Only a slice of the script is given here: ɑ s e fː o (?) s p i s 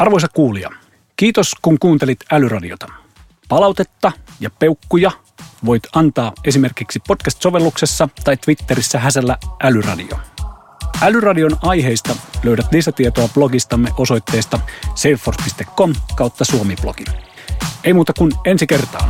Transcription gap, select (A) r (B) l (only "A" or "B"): A